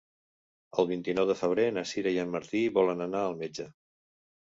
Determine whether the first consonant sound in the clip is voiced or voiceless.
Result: voiced